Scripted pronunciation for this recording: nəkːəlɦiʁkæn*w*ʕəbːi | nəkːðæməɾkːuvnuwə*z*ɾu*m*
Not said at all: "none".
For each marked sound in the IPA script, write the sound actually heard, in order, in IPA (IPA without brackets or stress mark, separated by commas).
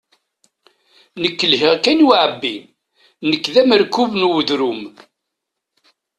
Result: w, ð, m